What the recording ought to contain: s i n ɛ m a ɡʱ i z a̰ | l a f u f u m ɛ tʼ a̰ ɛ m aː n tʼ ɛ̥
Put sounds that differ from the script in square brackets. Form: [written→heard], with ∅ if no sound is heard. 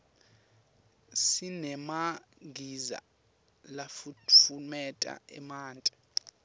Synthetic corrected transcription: s i n ɛ m a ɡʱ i z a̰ | l a f u f u m ɛ tʼ a̰ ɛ m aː n tʼ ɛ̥